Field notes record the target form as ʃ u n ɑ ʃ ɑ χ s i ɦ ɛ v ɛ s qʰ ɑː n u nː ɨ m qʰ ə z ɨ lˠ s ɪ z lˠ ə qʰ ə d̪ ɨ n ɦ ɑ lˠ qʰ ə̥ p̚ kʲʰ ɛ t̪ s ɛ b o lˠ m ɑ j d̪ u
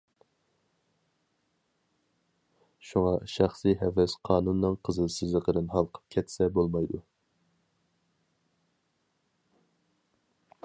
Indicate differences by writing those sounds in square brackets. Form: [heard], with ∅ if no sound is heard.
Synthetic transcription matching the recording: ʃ u [ŋ] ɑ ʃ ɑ χ s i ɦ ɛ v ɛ s qʰ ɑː n u nː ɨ [ŋ] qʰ ə z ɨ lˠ s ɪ z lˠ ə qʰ ə d̪ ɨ n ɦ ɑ lˠ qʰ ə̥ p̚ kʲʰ ɛ t̪ s ɛ b o lˠ m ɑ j d̪ u